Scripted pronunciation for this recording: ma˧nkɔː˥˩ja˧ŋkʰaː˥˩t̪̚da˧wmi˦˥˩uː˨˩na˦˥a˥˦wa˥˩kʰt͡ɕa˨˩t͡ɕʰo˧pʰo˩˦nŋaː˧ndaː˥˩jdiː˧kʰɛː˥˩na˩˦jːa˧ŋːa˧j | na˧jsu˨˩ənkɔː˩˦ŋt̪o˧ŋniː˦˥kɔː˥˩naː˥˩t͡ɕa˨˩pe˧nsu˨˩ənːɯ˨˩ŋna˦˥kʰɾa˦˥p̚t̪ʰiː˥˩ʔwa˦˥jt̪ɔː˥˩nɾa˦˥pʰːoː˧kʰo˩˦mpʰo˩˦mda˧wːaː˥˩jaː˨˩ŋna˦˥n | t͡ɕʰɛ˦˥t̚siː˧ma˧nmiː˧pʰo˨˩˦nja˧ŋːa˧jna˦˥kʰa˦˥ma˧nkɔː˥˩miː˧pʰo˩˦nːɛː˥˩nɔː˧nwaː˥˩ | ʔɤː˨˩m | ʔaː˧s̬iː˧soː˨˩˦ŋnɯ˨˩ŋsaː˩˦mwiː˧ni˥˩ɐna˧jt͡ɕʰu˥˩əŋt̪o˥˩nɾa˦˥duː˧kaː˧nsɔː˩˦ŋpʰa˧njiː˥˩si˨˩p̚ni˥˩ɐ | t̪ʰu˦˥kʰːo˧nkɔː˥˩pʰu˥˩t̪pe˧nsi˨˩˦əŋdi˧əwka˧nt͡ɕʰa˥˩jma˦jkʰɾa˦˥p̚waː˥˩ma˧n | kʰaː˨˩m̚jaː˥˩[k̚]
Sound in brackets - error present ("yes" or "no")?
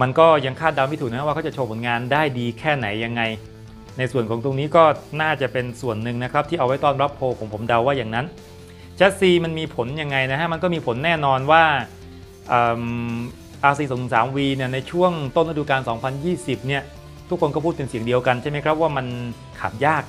no